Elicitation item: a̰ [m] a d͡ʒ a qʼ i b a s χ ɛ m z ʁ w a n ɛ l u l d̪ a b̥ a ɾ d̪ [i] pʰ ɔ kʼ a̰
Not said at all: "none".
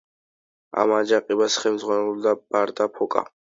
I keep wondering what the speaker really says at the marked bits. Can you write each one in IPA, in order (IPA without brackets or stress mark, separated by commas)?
m, a